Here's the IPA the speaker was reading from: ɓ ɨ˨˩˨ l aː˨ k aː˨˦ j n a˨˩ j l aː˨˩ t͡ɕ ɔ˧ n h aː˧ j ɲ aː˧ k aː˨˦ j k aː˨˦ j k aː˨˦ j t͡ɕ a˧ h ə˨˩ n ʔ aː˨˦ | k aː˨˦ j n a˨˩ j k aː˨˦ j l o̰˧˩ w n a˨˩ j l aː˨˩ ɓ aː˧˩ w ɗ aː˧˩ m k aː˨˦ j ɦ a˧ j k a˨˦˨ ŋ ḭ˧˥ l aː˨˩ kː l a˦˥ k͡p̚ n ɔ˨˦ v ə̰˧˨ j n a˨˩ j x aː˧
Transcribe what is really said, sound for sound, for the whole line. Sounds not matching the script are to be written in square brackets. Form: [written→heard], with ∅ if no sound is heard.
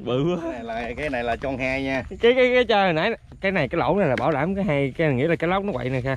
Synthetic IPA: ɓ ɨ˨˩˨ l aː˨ k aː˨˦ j n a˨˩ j l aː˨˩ t͡ɕ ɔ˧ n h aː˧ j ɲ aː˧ k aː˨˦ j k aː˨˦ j k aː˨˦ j t͡ɕ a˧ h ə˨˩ n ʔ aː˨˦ | k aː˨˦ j n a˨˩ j k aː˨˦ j l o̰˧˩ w n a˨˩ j l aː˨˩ ɓ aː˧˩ w ɗ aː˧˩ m k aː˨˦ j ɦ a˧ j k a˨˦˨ ŋ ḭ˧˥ l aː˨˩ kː l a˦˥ k͡p̚ n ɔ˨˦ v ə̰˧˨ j n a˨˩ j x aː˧